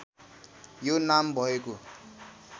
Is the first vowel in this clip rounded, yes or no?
yes